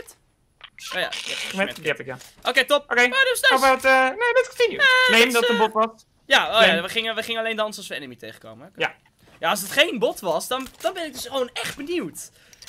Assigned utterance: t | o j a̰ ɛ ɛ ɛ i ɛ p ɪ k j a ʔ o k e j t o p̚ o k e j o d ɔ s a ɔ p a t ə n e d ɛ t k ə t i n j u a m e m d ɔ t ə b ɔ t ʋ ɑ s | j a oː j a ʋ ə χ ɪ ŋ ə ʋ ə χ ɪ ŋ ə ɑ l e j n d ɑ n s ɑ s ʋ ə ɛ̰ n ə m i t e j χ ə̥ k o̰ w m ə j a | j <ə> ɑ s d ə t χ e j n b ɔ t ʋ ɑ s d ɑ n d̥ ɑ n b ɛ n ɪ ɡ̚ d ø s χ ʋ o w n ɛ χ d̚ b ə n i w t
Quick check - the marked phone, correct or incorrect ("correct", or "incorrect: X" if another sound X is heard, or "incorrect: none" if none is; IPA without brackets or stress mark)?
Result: incorrect: a